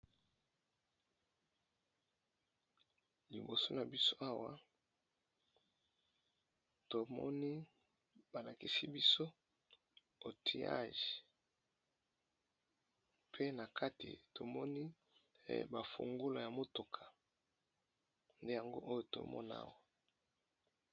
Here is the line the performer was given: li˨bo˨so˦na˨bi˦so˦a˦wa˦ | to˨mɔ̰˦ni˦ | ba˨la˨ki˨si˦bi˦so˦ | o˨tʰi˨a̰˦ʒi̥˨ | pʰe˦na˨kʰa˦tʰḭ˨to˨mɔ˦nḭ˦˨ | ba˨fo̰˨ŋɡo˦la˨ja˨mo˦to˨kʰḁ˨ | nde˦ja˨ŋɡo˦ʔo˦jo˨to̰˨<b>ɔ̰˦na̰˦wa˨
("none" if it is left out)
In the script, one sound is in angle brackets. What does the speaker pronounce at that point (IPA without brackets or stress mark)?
m